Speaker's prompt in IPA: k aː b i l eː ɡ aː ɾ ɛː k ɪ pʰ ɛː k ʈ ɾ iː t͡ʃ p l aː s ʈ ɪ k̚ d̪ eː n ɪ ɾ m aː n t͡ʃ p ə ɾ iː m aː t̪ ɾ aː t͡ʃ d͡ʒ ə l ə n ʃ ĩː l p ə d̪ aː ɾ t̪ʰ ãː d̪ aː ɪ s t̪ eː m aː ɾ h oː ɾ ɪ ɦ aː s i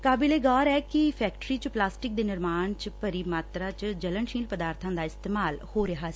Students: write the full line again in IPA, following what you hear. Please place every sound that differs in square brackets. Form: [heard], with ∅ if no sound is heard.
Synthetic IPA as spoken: k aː b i l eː ɡ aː ɾ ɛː k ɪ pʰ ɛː k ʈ ɾ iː t͡ʃ p l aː s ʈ ɪ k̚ d̪ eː n ɪ ɾ m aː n t͡ʃ p ə ɾ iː m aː t̪ ɾ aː t͡ʃ d͡ʒ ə l ə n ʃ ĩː l p ə d̪ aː ɾ t̪ʰ ãː d̪ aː ɪ s t̪ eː m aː [l] h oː ɾ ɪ ɦ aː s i